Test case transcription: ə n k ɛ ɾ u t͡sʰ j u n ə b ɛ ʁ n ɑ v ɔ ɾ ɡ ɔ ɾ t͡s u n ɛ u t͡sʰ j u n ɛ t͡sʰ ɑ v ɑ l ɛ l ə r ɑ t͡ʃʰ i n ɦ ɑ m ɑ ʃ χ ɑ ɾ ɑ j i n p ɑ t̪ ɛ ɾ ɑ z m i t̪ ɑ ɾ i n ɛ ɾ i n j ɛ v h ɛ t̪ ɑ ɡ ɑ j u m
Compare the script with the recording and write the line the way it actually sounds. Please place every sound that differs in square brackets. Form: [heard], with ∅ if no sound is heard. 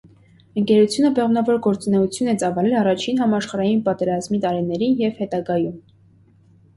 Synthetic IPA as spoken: ə [ŋ] k ɛ ɾ u t͡sʰ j u n ə b ɛ ʁ n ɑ v ɔ ɾ ɡ ɔ ɾ t͡s u n ɛ u t͡sʰ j u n ɛ [t͡s] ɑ v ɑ l ɛ l [ɑ] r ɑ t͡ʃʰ i n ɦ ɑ m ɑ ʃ χ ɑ ɾ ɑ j i n p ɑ t̪ ɛ ɾ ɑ z m i t̪ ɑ ɾ i n ɛ ɾ i n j ɛ v h ɛ t̪ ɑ ɡ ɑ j u m